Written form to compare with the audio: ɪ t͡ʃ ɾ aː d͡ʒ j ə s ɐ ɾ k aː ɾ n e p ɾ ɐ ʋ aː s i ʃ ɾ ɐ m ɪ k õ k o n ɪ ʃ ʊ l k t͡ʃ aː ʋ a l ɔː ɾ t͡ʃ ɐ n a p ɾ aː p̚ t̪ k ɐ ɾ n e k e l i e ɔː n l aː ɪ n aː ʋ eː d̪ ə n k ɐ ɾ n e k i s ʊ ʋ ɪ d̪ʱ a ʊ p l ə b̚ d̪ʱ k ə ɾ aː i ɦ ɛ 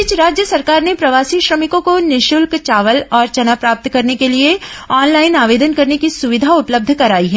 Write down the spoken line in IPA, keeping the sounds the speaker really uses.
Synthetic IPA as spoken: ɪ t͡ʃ ɾ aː d͡ʒ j ə s ɐ ɾ k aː ɾ n e p ɾ ɐ ʋ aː s i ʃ ɾ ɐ m ɪ k õ k o n ɪ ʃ ʊ l k t͡ʃ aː ʋ ə l ɔː ɾ t͡ʃ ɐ n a p ɾ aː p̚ t̪ k ɐ ɾ n e k e l i e ɔː n l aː ɪ n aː ʋ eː d̪ ə n k ɐ ɾ n e k i s ʊ ʋ ɪ d̪ʱ a ʊ p l ə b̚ d̪ʱ k ɐ ɾ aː i ɦ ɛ